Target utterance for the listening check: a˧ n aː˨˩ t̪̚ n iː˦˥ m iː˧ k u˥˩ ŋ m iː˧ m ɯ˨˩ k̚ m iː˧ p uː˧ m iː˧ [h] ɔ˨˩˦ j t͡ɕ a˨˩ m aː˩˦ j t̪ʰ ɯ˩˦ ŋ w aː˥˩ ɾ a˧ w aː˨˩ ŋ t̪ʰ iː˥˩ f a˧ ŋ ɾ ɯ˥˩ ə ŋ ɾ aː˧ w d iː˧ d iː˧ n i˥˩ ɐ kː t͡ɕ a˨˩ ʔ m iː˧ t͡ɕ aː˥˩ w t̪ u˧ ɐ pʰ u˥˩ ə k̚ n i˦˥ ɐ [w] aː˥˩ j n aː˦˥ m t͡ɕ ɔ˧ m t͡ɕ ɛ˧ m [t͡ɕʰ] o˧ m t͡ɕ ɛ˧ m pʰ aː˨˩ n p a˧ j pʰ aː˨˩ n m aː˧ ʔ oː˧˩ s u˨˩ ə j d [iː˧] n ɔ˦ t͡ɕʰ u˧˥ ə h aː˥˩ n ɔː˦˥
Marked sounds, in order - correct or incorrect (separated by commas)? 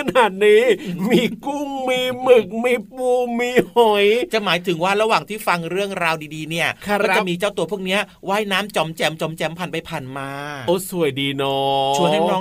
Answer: correct, correct, incorrect, correct